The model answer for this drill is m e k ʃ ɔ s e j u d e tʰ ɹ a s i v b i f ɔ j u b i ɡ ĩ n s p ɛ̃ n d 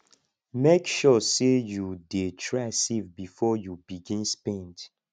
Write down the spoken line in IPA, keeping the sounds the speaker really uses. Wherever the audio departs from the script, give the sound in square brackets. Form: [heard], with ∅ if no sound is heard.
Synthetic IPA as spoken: m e k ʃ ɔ s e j u d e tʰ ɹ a s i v b i f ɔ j u b i ɡ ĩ n s p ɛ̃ n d